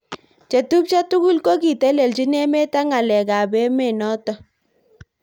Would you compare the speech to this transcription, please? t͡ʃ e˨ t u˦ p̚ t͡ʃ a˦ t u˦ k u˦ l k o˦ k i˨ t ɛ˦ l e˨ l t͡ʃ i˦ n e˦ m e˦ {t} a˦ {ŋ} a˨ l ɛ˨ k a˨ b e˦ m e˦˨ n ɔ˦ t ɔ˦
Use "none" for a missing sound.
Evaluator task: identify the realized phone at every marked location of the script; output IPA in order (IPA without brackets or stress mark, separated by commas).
t, ŋ